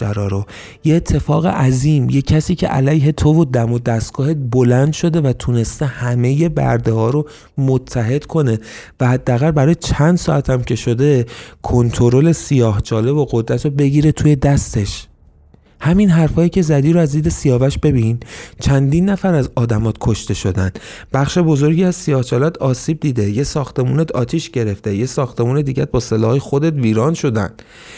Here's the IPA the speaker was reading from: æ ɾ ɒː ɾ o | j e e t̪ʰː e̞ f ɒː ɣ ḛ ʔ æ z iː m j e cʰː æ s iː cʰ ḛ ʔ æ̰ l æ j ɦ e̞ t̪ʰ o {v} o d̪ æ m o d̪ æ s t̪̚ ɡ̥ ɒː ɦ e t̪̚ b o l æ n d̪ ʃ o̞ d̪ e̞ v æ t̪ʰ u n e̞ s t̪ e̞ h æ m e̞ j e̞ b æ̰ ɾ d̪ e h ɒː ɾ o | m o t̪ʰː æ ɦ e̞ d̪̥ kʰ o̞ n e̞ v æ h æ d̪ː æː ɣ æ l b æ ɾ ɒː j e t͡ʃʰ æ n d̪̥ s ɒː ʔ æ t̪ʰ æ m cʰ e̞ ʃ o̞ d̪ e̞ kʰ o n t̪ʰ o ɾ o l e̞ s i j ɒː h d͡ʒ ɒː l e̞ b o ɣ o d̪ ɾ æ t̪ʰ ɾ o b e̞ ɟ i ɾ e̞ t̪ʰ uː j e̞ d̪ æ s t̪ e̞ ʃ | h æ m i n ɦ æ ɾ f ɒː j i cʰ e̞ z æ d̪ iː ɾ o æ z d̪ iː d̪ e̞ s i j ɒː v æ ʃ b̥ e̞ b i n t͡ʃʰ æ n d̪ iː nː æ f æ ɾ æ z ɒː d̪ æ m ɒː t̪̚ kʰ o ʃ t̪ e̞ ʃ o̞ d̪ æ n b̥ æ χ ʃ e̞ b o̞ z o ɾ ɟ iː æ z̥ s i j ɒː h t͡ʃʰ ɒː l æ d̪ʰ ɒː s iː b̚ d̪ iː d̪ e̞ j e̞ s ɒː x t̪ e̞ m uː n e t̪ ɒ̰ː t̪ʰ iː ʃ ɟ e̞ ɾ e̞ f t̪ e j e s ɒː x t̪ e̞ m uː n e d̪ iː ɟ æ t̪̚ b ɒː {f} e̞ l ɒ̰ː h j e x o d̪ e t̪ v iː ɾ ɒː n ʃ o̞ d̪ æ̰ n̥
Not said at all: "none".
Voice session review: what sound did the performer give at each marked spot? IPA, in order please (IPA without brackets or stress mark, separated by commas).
v, s